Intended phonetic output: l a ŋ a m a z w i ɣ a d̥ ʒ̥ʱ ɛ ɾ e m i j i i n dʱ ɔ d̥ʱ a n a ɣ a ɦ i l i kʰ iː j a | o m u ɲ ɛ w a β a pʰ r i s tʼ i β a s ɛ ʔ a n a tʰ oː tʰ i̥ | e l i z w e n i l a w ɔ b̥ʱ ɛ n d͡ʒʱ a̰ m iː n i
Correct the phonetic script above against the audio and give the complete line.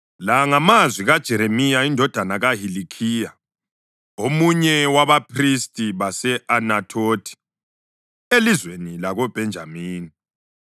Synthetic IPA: l a ŋ a m a z w i ɣ a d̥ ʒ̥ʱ ɛ ɾ e m i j a i n dʱ ɔ d̥ʱ a n a ɣ a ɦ i l i kʰ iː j a | o m u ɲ ɛ w a β a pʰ r i s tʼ i β a s ɛ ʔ a n a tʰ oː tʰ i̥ | e l i z w e n i l a ɣ ɔ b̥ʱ ɛ n d͡ʒʱ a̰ m iː n i